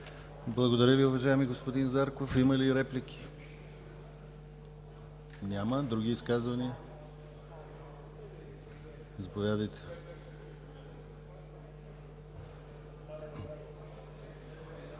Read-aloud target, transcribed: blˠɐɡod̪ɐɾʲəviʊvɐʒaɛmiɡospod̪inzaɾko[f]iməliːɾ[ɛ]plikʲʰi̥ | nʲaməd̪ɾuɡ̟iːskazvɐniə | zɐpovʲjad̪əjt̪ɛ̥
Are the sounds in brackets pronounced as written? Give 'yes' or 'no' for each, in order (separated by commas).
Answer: yes, yes